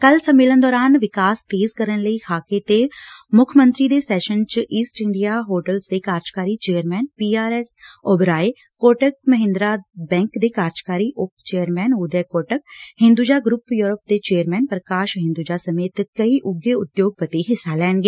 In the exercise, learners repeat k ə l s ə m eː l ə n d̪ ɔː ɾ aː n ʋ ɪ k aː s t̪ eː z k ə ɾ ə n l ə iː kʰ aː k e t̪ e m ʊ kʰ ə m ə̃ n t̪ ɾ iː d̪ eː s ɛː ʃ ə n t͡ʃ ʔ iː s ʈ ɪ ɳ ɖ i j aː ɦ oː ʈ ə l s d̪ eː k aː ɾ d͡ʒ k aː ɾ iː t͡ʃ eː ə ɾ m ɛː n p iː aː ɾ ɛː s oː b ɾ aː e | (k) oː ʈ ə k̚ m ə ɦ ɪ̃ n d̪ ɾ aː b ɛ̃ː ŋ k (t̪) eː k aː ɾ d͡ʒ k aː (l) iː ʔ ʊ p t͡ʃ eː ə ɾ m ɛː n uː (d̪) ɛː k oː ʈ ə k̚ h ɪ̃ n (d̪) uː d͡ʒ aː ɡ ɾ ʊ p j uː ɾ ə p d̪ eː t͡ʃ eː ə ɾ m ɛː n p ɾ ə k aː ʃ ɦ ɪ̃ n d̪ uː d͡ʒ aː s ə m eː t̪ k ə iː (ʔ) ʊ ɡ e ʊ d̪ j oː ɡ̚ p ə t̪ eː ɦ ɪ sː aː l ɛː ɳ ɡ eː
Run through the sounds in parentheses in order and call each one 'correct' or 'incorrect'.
correct, incorrect: d̪, incorrect: ɾ, correct, correct, correct

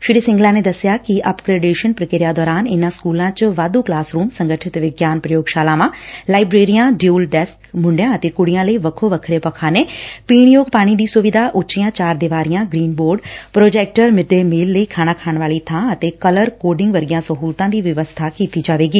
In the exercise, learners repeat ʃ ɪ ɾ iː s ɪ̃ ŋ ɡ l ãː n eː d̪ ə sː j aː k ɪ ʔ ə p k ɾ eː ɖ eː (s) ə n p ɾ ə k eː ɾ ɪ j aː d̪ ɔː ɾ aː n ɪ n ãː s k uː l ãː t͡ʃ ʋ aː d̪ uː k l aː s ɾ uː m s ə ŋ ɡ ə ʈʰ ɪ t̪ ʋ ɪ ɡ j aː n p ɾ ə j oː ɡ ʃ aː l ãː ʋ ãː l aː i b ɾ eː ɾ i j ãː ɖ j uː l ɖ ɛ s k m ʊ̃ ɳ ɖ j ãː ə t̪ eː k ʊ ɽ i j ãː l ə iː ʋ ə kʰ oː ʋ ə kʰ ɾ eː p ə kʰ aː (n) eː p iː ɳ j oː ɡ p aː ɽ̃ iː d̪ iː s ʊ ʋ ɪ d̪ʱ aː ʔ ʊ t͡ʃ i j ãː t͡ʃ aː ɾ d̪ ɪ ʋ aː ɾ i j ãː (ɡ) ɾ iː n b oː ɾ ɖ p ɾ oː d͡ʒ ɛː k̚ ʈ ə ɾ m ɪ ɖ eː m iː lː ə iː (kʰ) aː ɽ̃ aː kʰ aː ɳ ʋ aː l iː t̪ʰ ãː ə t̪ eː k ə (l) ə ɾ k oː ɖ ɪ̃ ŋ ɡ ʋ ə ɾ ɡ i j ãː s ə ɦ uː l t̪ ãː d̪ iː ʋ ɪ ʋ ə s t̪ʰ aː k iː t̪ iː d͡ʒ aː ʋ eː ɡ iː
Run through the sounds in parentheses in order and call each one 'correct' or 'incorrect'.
incorrect: ʃ, correct, correct, correct, correct

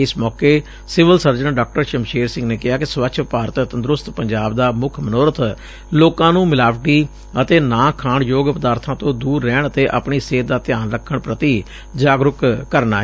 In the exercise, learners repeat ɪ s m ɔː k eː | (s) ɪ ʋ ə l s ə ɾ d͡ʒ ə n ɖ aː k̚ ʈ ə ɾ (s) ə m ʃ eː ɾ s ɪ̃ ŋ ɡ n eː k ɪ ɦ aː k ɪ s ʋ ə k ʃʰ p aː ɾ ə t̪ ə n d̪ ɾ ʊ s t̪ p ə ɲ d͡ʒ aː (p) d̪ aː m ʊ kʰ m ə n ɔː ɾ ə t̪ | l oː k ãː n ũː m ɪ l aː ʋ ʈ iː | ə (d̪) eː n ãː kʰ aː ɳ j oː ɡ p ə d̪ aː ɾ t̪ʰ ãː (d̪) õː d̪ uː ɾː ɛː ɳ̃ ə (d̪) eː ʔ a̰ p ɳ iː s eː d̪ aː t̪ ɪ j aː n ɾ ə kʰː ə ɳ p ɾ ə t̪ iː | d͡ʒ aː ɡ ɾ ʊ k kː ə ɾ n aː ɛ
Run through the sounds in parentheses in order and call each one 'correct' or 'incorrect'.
correct, incorrect: ʃ, incorrect: b, incorrect: t̪, incorrect: t̪, incorrect: t̪

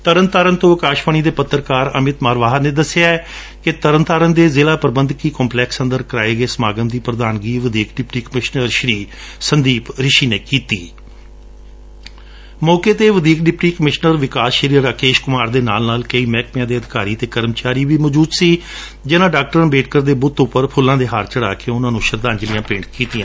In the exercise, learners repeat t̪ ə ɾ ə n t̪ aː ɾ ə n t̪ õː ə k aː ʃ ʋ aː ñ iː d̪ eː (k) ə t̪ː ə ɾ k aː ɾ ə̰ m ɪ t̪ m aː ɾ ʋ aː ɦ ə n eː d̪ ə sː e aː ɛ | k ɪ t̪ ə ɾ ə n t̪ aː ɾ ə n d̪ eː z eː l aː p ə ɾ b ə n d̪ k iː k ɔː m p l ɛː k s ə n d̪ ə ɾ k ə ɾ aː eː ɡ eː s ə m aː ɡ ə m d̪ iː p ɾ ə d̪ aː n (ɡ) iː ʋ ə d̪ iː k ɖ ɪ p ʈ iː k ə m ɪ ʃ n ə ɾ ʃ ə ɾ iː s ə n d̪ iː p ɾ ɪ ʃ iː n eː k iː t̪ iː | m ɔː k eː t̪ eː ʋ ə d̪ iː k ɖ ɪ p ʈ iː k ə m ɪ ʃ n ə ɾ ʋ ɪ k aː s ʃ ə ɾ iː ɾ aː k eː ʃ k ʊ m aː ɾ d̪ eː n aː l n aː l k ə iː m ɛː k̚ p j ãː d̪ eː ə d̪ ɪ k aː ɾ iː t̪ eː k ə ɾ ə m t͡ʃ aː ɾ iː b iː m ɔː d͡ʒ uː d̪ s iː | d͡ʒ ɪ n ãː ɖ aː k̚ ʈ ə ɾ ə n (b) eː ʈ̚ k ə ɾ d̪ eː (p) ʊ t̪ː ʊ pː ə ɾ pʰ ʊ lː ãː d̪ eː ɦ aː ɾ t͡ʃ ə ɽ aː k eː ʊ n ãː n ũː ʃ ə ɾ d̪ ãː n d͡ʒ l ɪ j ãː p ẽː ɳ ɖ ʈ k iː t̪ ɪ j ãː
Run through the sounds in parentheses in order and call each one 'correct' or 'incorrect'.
incorrect: p, correct, correct, incorrect: b

